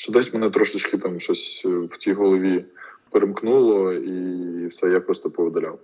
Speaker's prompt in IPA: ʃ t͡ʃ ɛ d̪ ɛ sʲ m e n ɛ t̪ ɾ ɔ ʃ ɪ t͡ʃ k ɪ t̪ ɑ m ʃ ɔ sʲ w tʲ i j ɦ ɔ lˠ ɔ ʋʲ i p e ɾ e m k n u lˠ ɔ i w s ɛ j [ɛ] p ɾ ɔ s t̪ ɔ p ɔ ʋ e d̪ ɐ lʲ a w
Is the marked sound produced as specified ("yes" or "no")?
no